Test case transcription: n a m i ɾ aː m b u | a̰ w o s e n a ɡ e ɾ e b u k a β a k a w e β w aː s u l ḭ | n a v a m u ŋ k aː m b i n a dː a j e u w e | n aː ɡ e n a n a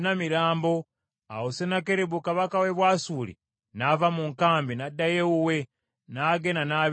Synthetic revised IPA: n a m i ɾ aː m b o | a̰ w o s e n a k e ɾ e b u k a β a k a w e β w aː s u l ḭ | n a v a m u ŋ k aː m b i n a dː a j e u w e | n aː ɡ e n a n a